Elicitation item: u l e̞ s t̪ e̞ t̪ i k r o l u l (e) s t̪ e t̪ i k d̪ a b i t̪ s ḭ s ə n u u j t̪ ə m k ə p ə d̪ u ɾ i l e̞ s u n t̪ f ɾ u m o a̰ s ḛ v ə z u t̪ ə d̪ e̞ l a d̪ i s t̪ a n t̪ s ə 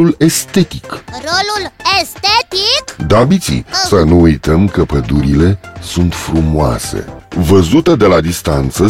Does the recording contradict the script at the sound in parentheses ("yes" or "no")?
no